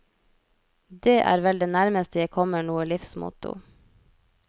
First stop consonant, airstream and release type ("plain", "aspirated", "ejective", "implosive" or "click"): plain